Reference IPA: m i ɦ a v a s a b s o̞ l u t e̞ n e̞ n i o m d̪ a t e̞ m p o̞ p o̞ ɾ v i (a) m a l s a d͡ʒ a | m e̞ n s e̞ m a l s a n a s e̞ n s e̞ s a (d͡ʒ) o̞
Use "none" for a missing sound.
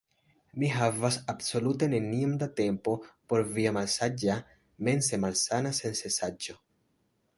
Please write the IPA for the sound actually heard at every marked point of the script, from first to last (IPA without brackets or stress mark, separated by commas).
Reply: a, d͡ʒ